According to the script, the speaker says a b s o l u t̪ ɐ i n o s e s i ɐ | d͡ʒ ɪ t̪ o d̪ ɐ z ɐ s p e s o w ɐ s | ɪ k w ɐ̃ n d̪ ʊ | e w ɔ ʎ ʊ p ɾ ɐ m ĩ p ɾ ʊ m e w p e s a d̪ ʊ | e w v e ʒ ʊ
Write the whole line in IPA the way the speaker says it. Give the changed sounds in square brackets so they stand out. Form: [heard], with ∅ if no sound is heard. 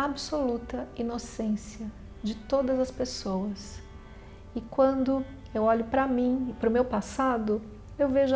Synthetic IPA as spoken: a b s o l u t̪ ɐ i n o s [ẽ] s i ɐ | d͡ʒ ɪ t̪ o d̪ ɐ z ɐ s p e s o w ɐ s | ɪ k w ɐ̃ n d̪ ʊ | e w ɔ ʎ ʊ p ɾ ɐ m ĩ p ɾ ʊ m e w p [a] s a d̪ ʊ | e w v e ʒ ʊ